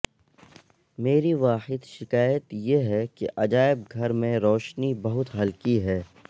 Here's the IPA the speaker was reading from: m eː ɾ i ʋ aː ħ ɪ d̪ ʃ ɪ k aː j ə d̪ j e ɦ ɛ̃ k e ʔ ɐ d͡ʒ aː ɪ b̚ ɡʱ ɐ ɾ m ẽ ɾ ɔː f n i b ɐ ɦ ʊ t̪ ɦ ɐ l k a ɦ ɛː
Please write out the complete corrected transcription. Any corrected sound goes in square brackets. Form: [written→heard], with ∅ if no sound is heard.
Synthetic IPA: m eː ɾ i ʋ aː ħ ɪ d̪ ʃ ɪ k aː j ə [d̪→t̪] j e ɦ [ɛ̃→ɛ] k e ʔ ɐ d͡ʒ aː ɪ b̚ ɡʱ ɐ ɾ m ẽ ɾ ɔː [f→ʃ] n i b ɐ ɦ ʊ t̪ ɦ ɐ l k [a→i] ɦ ɛː